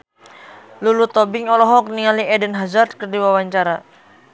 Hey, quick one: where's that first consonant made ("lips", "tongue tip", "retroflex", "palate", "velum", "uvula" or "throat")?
tongue tip